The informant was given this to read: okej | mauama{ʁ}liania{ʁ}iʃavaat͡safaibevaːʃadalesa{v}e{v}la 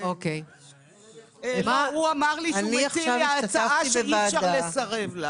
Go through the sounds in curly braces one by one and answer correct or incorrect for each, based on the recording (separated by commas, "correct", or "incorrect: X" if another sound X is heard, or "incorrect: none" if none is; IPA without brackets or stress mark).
correct, incorrect: χ, incorrect: ʁ, correct